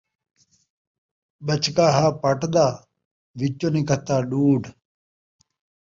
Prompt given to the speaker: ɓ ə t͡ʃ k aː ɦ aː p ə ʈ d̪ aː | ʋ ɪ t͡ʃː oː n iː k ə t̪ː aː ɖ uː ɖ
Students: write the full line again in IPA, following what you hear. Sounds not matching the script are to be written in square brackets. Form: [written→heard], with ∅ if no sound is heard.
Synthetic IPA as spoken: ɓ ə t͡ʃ k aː ɦ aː p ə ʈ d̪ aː | ʋ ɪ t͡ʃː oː n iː k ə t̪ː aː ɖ uː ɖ